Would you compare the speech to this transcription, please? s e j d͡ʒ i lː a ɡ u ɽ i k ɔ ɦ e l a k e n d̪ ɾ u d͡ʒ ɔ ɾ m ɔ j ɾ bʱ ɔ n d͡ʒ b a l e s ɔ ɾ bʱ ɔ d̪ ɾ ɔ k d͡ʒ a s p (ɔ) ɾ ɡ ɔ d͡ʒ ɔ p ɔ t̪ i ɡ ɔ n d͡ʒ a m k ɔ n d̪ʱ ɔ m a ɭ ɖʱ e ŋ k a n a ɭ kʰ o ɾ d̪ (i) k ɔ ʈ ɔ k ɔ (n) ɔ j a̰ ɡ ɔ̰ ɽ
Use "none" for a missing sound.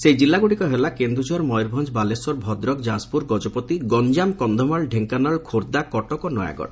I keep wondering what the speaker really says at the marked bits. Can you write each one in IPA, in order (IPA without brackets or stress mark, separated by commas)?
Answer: u, a, n